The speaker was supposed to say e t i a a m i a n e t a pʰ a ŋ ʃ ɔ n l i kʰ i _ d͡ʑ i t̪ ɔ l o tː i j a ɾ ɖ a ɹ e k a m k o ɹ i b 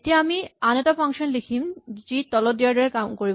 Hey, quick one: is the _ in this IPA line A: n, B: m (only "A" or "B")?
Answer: B